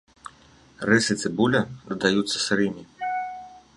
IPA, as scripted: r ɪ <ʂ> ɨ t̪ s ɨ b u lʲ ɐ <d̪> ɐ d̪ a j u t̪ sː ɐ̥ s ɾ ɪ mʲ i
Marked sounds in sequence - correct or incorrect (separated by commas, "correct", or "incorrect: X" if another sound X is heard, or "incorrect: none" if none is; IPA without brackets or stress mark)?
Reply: incorrect: s, correct